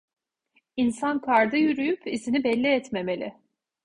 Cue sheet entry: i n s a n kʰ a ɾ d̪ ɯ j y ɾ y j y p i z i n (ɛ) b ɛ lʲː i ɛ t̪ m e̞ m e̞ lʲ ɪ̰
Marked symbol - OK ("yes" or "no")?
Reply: no